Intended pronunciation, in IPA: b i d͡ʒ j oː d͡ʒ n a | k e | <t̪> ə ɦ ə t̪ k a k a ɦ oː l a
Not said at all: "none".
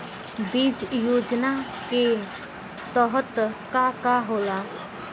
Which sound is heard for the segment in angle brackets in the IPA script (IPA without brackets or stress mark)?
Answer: t̪